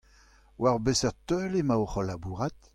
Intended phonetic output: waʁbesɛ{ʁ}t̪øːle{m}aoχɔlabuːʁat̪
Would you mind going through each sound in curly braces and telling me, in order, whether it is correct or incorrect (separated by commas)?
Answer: correct, correct